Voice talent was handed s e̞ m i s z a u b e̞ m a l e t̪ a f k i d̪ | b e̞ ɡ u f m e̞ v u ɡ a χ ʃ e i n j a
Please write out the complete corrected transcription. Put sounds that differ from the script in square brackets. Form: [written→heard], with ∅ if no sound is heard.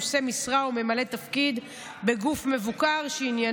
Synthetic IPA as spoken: s e̞ m i s [z→ʁ] a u [b→m] e̞ m a l e t̪ a f k i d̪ | b e̞ ɡ u f m e̞ v u [ɡ→k] a [χ→ʁ] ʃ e i n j a